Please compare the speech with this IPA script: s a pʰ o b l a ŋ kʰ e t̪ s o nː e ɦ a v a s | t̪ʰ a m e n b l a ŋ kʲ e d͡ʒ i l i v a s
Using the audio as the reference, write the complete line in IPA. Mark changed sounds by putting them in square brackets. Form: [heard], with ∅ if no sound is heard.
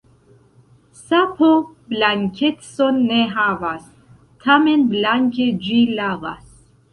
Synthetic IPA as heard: s a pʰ o b l a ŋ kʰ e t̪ s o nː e ɦ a v a s | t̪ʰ a m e n b l a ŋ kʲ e d͡ʒ i l [a] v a s